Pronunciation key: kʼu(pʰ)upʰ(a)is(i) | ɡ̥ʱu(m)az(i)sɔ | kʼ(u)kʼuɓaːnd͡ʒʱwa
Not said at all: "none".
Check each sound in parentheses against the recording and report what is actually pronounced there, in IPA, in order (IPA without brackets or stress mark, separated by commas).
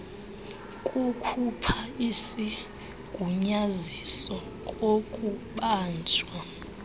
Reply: kʰ, a, i, ɲ, i, o